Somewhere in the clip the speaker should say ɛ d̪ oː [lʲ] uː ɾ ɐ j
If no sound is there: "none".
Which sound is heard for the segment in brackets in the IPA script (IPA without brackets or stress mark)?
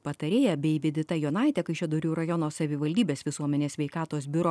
ɾʲ